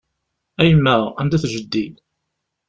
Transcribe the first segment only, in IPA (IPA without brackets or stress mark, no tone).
æ